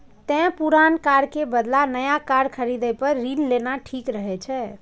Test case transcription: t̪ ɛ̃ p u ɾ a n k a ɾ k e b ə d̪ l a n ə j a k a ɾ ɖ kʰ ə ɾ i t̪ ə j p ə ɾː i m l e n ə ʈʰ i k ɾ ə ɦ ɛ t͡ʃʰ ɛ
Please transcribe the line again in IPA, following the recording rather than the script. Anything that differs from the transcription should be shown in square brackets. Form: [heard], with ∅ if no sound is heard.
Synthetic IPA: t̪ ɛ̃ p u ɾ a n k a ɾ k e b ə d̪ l a n ə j a k a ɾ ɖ kʰ ə ɾ i [d̪] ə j p ə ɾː i [n] l e n [a] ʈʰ i k ɾ ə ɦ ɛ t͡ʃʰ ɛ